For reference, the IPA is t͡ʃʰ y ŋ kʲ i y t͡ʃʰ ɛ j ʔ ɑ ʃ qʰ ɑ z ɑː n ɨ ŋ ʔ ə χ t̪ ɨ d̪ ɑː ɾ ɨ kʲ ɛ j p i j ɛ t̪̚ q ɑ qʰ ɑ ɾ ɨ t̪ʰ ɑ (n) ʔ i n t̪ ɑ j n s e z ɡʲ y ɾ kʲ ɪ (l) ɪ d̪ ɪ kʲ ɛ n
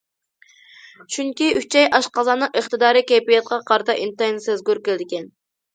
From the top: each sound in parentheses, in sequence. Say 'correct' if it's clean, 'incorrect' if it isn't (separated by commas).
incorrect, correct